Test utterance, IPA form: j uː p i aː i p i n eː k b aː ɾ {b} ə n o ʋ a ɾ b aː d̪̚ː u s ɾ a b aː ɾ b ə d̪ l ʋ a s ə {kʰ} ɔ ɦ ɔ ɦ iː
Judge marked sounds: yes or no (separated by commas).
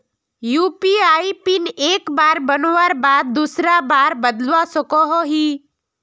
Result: yes, no